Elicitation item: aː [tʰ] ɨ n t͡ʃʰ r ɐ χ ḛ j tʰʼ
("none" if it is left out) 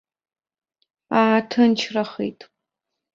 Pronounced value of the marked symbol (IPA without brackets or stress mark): tʰ